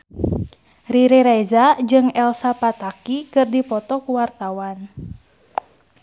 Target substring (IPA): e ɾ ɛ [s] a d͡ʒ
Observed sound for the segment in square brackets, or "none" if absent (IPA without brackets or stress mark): z